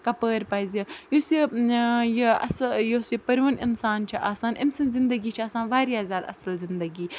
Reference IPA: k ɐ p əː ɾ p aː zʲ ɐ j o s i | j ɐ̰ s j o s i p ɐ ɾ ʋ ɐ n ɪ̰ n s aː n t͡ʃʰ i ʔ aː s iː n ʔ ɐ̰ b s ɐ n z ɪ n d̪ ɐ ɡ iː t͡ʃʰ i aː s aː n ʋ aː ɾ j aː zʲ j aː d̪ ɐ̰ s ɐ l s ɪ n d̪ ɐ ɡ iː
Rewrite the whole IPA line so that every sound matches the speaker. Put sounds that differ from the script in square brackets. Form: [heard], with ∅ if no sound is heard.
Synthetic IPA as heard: k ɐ p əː ɾ p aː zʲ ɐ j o s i | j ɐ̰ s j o s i p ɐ ɾ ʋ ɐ n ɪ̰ n s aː n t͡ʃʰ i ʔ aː s [aː] n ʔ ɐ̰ [m] s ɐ n z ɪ n d̪ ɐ ɡ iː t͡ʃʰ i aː s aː n ʋ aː ɾ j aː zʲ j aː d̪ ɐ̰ s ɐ l [z] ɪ n d̪ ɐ ɡ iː